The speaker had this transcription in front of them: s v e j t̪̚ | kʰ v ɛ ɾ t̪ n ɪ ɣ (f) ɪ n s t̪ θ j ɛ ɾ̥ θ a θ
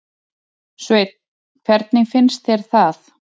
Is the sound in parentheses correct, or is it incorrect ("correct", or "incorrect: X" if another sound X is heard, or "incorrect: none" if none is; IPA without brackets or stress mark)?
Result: correct